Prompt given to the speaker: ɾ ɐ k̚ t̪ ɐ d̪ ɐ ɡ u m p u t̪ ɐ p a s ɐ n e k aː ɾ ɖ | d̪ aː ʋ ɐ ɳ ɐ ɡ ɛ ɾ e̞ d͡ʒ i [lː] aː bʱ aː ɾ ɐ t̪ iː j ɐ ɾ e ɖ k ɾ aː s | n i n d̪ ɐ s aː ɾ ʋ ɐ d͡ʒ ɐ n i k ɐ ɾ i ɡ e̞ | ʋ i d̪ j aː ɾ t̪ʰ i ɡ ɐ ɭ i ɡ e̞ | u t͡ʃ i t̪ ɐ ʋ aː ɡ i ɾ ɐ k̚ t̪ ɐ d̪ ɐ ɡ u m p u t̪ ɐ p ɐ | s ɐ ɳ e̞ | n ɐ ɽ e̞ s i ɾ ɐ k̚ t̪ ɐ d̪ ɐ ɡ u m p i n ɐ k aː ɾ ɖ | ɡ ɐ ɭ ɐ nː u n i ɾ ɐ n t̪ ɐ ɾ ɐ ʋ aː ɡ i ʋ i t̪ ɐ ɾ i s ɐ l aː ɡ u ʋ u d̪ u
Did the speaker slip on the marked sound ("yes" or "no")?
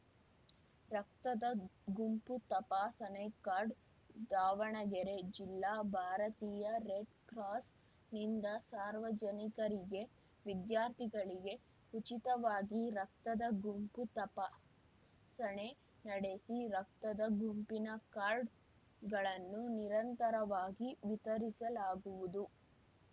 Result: no